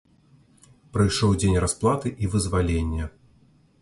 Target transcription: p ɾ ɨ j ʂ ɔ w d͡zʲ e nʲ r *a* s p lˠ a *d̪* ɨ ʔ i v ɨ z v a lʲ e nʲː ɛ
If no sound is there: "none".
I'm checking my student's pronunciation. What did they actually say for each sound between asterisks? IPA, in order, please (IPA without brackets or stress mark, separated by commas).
a, t̪